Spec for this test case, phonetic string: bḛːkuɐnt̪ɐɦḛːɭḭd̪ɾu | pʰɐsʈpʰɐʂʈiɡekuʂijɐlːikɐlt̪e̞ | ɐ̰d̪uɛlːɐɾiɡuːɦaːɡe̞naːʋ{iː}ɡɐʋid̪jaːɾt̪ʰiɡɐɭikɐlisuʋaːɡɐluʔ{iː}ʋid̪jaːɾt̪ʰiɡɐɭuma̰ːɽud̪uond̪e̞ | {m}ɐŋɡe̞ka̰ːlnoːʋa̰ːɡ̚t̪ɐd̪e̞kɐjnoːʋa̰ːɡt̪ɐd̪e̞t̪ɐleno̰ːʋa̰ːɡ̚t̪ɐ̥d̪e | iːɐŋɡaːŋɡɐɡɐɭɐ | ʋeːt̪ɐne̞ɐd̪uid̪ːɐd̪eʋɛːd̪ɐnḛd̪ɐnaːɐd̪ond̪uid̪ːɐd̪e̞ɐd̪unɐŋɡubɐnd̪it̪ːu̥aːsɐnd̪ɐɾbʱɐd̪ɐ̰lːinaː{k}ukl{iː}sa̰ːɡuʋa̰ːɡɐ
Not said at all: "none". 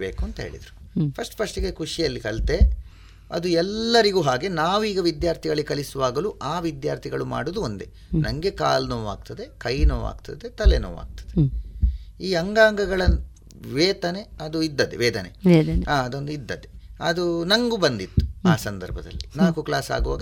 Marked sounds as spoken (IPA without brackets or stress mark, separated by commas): iː, aː, n, k, aː